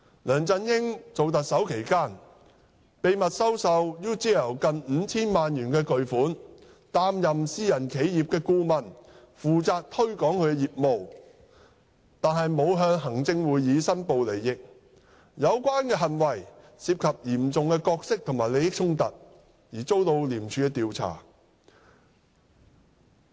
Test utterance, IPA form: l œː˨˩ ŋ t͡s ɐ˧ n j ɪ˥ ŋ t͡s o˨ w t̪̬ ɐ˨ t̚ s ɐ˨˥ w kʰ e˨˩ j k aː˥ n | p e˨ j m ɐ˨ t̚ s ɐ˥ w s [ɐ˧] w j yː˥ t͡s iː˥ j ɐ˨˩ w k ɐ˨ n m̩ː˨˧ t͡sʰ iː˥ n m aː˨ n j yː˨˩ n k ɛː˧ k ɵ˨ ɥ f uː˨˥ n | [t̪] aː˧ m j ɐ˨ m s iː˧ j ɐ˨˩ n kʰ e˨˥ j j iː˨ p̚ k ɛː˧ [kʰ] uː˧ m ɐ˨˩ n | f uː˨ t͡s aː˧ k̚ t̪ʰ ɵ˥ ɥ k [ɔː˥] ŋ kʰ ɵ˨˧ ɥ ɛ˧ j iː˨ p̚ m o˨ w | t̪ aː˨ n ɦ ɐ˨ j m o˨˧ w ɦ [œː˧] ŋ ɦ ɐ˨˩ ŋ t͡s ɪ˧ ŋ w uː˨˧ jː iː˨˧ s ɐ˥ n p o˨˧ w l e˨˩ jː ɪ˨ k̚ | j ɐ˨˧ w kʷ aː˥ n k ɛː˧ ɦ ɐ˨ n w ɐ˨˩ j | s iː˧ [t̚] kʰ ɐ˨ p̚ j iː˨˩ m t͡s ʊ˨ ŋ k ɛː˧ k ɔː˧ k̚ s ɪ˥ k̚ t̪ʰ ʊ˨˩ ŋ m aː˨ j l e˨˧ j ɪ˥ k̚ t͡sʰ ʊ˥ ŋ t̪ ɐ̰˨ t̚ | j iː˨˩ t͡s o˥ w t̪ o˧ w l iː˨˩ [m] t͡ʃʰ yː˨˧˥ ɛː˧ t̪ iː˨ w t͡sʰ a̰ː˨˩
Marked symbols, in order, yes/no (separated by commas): yes, yes, no, no, yes, no, yes